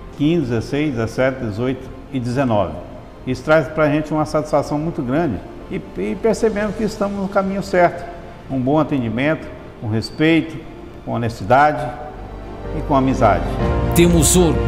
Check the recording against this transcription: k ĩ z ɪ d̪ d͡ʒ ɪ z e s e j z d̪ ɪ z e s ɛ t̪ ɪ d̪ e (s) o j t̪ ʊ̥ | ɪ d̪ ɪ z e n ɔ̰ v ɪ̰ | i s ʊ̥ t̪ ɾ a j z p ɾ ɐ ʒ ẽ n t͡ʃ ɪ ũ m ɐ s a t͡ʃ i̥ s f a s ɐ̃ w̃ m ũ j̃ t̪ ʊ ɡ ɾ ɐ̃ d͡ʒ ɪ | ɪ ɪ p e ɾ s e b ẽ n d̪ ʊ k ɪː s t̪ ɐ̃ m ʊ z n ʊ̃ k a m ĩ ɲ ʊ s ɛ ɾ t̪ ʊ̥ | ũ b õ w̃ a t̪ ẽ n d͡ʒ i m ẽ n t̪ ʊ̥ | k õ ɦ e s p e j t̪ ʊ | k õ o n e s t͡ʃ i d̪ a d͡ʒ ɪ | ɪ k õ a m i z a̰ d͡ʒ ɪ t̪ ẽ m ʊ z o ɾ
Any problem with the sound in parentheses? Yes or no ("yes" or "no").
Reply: yes